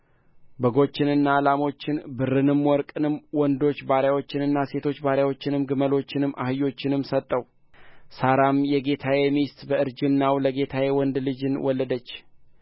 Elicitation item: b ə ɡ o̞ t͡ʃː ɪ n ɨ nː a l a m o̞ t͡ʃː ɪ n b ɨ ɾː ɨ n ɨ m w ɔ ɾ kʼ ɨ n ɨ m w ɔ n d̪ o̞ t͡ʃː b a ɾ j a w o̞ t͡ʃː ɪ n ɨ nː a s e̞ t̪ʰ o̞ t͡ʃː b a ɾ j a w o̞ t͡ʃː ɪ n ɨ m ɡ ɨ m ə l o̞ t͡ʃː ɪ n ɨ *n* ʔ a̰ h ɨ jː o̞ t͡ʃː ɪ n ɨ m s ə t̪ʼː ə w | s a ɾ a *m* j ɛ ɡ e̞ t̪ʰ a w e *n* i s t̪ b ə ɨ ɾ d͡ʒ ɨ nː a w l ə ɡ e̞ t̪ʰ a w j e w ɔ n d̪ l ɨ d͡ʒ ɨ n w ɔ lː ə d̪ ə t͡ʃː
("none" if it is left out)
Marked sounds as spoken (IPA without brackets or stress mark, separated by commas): m, m, m